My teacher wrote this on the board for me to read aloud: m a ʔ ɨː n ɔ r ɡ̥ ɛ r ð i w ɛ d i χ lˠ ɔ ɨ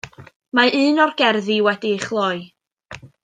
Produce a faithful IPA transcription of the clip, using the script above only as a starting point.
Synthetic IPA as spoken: m a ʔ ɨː n ɔ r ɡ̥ ɛ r ð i w ɛ d i χ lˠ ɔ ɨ